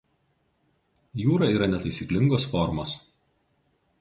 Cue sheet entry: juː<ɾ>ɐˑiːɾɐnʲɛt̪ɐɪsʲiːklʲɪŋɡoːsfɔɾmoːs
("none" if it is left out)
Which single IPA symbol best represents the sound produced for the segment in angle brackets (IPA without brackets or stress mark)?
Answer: ɾ